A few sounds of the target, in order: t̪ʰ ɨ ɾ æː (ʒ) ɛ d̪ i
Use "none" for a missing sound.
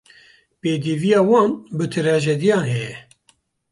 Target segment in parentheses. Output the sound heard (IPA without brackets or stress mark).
ʒ